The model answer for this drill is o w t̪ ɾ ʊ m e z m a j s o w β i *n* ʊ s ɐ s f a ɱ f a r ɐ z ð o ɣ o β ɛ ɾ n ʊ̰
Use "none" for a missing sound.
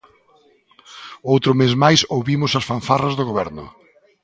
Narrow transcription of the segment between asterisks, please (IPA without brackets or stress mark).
m